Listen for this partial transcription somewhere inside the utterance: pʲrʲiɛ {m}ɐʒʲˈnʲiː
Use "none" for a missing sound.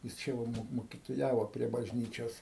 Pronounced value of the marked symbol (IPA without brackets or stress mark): b